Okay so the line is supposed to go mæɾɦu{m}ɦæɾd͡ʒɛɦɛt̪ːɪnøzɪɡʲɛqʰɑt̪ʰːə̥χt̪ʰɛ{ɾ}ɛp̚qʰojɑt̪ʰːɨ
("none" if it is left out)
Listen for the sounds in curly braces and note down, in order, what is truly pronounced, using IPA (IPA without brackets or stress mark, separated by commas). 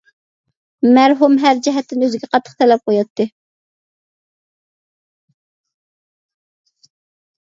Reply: m, l